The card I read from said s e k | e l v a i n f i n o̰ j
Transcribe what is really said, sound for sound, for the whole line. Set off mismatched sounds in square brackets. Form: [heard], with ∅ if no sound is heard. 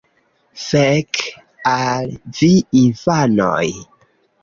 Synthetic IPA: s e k | [a] l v [i] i n f [a] n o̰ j